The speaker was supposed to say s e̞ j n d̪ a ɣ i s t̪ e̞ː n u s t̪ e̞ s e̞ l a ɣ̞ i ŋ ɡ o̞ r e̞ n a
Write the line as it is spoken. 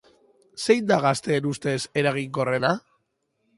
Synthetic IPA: s e̞ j n d̪ a ɣ a s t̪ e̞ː n u s t̪ e̞ s e̞ ɾ a ɣ̞ i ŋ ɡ o̞ r e̞ n a